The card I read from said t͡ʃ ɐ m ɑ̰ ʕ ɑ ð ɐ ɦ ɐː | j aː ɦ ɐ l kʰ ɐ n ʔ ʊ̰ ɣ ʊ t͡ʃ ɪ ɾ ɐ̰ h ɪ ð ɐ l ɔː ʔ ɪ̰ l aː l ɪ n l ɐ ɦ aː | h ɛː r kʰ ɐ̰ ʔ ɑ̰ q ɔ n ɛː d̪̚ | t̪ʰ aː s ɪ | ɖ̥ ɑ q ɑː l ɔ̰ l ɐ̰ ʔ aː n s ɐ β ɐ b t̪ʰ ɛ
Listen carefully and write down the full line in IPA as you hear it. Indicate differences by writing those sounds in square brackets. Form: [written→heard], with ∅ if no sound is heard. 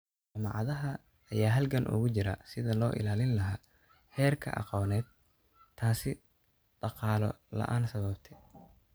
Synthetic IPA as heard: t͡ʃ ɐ m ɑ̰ ʕ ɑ ð ɐ ɦ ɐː | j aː ɦ ɐ l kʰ ɐ n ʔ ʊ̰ ɣ ʊ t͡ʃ ɪ ɾ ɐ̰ [h→s] ɪ ð ɐ l ɔː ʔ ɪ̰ l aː l ɪ n l ɐ ɦ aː | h ɛː r kʰ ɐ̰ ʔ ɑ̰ q [ɔ→ɔː] n ɛː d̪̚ | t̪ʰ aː s ɪ | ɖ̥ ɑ q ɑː l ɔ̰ l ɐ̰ ʔ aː n s ɐ β ɐ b t̪ʰ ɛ

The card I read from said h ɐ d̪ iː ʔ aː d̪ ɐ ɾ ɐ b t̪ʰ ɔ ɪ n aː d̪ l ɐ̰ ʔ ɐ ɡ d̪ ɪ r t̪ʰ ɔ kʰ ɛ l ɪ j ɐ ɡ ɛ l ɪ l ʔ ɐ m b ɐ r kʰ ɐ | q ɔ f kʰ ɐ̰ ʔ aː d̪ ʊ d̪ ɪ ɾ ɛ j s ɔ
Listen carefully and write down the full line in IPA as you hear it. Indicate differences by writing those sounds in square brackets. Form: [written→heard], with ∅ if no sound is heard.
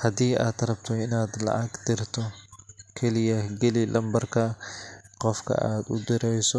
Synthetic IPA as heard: h ɐ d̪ iː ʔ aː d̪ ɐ ɾ ɐ b t̪ʰ ɔ ɪ n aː d̪ l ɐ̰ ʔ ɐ ɡ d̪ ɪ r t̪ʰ ɔ kʰ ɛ l ɪ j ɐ ɡ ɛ l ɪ l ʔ ɐ m b ɐ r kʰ ɐ | q ɔ f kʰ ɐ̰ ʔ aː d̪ ʊ d̪ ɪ ɾ ɛ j s ɔ

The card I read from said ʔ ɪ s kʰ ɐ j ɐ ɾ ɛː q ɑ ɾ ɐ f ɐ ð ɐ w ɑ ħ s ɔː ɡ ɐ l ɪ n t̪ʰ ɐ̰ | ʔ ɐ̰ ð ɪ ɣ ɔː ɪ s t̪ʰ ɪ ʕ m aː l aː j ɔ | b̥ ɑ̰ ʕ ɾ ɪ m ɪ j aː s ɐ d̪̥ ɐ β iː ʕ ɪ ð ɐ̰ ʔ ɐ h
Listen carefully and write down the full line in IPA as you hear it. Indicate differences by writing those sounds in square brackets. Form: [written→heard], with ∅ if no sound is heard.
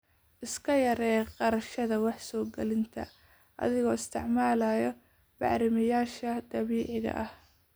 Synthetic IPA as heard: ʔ ɪ s kʰ ɐ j ɐ ɾ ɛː q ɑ ɾ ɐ [f→ʃ] ɐ ð ɐ w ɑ ħ s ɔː ɡ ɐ l ɪ n t̪ʰ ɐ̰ | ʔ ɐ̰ ð ɪ ɣ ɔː ɪ s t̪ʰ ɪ ʕ m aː l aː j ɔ | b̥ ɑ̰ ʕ ɾ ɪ m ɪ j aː [s→ʃ] ɐ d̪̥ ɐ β iː ʕ ɪ [ð→ɣ] ɐ̰ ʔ ɐ h

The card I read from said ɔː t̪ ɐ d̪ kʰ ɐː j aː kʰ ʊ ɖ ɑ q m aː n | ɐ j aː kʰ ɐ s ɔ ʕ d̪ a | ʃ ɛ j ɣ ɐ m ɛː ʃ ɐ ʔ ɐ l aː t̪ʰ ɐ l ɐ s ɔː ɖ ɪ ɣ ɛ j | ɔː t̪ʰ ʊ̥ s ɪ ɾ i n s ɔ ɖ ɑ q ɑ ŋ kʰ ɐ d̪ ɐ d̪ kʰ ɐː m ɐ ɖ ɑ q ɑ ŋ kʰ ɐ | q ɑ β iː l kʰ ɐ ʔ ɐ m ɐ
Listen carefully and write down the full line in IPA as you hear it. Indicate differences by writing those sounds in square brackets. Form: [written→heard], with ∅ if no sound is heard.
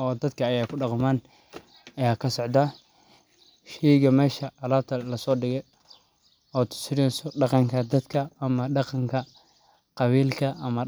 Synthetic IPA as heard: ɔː [t̪→d̪] ɐ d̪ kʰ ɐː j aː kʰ ʊ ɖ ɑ q m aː n | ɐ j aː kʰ ɐ s ɔ ʕ d̪ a | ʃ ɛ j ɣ ɐ m ɛː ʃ ɐ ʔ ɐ l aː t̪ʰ ɐ l ɐ s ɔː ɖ ɪ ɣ ɛ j | ɔː t̪ʰ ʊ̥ s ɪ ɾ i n s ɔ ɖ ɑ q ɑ ŋ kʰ ɐ d̪ ɐ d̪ kʰ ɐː m ɐ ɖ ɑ q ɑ ŋ kʰ ɐ | q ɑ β iː l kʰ ɐ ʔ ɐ m ɐ

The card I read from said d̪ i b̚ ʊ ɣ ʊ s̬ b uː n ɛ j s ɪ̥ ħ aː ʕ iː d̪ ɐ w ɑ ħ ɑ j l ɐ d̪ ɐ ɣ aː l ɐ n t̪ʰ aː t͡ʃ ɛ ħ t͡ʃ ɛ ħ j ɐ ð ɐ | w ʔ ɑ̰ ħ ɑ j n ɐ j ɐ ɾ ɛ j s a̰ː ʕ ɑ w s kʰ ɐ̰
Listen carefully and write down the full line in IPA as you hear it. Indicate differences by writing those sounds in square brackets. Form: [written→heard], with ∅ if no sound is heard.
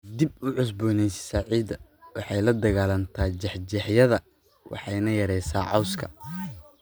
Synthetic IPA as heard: d̪ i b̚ ʊ [ɣ→ʕ] ʊ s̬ b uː n ɛ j s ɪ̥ [ħ→s] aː ʕ iː d̪ ɐ w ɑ ħ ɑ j l ɐ d̪ ɐ ɣ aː l ɐ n t̪ʰ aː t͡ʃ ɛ ħ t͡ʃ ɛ ħ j ɐ ð ɐ | w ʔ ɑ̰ ħ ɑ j n ɐ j ɐ ɾ ɛ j s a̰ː ʕ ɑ w s kʰ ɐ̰

